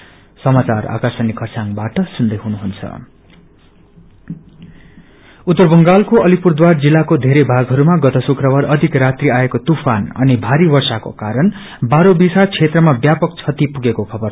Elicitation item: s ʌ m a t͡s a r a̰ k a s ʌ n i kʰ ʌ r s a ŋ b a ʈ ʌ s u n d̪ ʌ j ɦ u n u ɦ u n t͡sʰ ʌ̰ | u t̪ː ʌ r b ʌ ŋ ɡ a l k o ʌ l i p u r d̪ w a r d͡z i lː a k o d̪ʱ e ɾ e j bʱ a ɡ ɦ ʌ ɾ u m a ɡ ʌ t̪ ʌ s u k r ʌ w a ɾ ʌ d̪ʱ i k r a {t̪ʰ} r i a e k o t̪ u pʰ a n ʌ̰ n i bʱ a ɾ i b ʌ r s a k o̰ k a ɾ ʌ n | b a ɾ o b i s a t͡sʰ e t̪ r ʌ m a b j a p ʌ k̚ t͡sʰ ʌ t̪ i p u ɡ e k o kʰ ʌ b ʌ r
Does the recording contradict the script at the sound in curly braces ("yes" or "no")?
yes